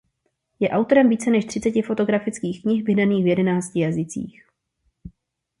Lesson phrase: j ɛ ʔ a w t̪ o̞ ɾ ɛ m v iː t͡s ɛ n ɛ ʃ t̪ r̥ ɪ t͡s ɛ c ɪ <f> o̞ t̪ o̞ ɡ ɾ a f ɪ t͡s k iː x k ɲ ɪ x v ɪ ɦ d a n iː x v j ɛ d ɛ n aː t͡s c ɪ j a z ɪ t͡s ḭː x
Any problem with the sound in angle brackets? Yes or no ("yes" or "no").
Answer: no